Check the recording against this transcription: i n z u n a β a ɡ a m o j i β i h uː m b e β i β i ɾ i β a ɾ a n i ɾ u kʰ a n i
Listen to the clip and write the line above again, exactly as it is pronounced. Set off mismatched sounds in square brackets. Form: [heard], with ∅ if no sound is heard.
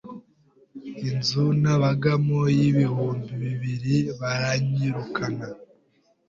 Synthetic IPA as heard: i n z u n a β a ɡ a m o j i β i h uː m b [i] β i β i ɾ i β a ɾ a [ɲ] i ɾ u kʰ a n [a]